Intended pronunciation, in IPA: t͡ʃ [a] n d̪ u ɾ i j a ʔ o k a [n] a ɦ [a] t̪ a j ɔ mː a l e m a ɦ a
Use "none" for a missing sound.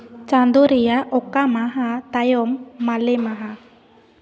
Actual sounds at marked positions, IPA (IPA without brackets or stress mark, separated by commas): a, m, a